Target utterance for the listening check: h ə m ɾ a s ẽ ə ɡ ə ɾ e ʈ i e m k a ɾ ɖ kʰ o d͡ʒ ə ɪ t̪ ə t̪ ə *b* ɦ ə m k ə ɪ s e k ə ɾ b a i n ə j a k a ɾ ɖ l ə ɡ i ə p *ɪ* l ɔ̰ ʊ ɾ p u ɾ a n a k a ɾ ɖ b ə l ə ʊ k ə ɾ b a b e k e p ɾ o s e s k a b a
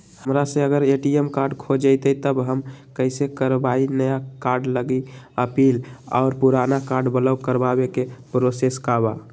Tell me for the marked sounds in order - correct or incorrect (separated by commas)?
correct, incorrect